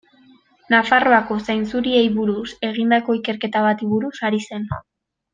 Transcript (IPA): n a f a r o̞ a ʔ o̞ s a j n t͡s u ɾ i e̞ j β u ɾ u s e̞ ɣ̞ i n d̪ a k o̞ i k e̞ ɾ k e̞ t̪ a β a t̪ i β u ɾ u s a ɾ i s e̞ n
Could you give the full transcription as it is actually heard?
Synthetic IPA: n a f a r o̞ a k o̞ s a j n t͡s u ɾ i e̞ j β u ɾ u s e̞ ɣ̞ i n d̪ a k o̞ i k e̞ ɾ k e̞ t̪ a β a t̪ i β u ɾ u s a ɾ i s e̞ n

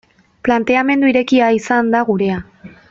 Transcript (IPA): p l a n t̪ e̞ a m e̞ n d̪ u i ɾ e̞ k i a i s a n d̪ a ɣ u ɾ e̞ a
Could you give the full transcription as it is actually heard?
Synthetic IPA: p l a n t̪ e̞ a m e̞ n d̪ u i ɾ e̞ k i a i s a n d̪ a ɣ u ɾ e̞ a

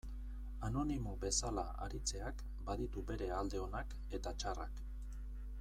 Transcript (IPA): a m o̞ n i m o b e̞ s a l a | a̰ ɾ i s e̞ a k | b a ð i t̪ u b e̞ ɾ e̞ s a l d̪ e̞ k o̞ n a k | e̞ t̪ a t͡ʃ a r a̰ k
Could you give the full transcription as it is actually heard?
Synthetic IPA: a n o̞ n i m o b e̞ s a l a | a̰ ɾ i t͡s e̞ a k | b a ð i t̪ u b e̞ ɾ e̞ a l d̪ e̞ o̞ n a k | e̞ t̪ a t͡ʃ a r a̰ k

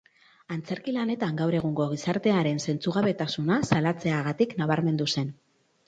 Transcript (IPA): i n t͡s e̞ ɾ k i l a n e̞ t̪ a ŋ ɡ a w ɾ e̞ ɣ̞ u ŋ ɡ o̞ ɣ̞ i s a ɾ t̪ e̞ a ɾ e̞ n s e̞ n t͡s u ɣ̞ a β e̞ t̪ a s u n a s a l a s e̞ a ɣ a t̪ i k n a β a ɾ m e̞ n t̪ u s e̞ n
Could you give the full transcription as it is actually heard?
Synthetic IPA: a n t͡s e̞ ɾ k i l a n e̞ t̪ a ŋ ɡ a w ɾ e̞ ɣ̞ u ŋ ɡ o̞ ɣ̞ i s a ɾ t̪ e̞ a ɾ e̞ n s e̞ n t͡s u ɣ̞ a β e̞ t̪ a s u n a s a l a t͡s e̞ a ɣ a t̪ i k n a β a ɾ m e̞ n d̪ u s e̞ n

